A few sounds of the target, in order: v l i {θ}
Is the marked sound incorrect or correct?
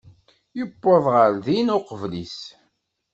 incorrect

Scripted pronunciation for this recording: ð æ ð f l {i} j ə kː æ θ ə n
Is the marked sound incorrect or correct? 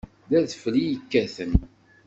correct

